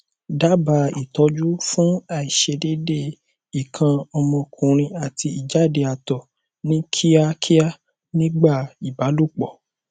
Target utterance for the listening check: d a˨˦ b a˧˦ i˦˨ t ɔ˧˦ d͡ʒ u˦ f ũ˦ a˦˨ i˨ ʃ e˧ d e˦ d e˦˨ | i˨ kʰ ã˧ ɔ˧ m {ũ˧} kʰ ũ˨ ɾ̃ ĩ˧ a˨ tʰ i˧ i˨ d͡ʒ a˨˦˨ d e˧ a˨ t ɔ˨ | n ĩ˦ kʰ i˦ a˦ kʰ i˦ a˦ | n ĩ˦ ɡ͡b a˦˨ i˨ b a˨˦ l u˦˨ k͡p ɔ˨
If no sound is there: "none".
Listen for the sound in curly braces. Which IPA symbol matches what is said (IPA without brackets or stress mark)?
ɔ̃˧